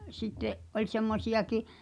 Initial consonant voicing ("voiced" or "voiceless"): voiceless